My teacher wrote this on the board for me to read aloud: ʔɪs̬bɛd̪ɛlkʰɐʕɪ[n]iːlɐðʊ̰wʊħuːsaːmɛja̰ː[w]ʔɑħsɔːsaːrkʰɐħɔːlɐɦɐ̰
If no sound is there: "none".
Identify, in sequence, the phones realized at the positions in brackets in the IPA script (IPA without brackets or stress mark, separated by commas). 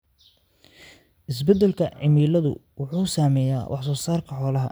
m, w